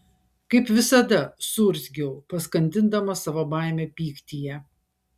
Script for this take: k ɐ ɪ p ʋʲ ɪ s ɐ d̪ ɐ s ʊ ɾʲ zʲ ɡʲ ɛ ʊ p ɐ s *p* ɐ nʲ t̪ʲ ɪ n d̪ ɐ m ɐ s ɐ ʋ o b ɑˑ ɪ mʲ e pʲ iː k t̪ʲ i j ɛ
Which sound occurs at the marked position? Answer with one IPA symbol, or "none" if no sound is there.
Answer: k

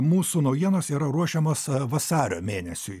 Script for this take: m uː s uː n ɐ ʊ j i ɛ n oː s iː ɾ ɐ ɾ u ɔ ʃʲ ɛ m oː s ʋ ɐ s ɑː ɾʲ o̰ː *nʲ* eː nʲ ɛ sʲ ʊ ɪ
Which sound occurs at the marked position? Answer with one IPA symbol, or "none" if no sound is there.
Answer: mʲ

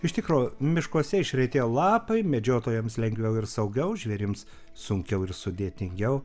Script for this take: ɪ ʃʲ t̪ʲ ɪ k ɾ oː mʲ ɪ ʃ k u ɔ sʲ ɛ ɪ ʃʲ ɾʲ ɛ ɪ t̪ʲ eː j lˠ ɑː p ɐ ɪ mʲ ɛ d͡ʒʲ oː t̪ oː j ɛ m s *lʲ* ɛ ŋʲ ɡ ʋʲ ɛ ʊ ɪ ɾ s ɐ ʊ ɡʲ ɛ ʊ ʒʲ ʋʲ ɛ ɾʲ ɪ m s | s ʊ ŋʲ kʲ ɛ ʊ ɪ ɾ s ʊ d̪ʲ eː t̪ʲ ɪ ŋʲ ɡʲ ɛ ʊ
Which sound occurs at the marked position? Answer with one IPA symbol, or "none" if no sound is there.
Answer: lʲ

